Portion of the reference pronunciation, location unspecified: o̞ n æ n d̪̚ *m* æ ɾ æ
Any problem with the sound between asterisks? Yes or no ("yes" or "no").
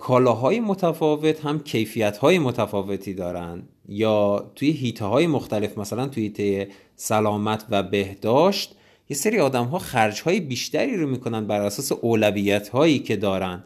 yes